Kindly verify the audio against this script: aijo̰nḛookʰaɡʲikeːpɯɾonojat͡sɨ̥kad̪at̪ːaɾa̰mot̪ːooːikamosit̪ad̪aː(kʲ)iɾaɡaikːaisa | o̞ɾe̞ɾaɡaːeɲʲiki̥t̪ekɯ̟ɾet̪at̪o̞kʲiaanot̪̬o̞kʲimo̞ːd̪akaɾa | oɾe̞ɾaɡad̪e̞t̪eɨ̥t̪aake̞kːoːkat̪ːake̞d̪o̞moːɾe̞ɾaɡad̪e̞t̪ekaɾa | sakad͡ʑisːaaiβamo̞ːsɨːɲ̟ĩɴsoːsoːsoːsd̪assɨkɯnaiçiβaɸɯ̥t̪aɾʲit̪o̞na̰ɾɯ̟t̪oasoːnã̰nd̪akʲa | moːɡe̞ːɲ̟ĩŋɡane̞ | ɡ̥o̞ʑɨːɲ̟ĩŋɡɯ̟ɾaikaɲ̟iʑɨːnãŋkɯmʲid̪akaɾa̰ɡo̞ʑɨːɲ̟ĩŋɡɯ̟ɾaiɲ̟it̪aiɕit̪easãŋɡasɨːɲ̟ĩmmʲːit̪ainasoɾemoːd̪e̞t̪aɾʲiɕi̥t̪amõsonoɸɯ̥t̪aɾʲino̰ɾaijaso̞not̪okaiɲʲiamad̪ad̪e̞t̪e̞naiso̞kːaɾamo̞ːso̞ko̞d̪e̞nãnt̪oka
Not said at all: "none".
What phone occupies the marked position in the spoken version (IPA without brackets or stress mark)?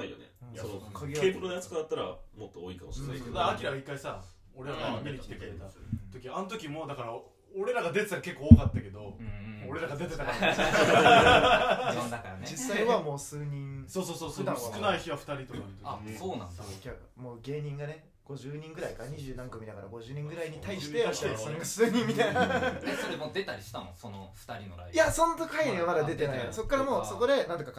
kʲ